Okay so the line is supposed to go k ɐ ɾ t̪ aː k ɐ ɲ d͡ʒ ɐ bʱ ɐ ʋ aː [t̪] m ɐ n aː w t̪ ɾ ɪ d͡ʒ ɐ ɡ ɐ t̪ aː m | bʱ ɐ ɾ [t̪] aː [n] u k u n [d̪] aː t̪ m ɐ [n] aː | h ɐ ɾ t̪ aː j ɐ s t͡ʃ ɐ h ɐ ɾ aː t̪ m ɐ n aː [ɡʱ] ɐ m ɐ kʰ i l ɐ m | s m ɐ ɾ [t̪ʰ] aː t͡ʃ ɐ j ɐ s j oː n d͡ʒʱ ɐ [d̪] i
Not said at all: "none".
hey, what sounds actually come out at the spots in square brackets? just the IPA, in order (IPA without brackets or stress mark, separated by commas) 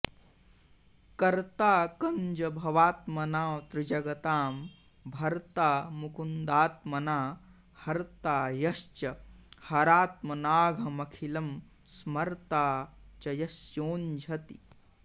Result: t̪, t̪, m, d̪, n, ɡʱ, t̪, t̪